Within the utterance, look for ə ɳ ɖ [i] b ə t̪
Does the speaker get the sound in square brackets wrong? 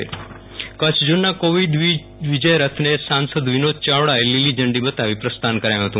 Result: no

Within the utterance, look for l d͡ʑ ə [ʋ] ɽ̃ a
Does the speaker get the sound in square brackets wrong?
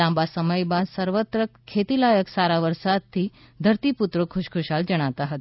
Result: yes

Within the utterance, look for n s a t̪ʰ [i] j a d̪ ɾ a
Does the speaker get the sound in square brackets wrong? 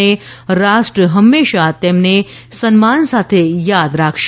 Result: yes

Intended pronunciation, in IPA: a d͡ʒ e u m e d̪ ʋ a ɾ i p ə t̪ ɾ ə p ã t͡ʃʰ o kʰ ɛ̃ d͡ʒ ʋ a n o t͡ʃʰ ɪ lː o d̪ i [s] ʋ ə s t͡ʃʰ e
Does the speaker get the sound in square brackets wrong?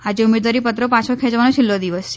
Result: yes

